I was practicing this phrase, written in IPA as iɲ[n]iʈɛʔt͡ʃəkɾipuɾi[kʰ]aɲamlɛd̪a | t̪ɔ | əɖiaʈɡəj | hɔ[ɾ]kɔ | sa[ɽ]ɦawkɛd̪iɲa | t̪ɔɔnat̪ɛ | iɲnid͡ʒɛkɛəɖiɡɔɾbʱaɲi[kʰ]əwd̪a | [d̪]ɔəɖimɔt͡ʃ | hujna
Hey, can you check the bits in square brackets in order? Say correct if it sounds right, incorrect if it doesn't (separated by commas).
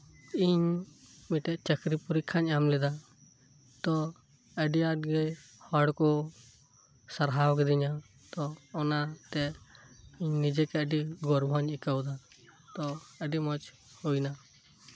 incorrect, correct, incorrect, incorrect, incorrect, incorrect